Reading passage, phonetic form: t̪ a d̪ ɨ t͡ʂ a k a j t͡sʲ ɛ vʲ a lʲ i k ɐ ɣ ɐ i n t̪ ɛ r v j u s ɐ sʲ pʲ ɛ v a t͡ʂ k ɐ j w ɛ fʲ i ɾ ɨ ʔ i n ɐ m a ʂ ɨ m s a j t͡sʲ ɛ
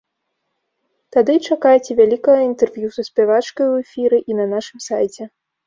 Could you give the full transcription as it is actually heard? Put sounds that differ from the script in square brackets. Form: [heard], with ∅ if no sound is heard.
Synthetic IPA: t̪ a d̪ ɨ t͡ʂ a k a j t͡sʲ ɛ vʲ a lʲ i k ɐ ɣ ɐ i n t̪ ɛ r v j u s ɐ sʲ pʲ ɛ v a t͡ʂ k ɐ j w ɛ fʲ i ɾ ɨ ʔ i n ɐ [n] a ʂ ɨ m s a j t͡sʲ ɛ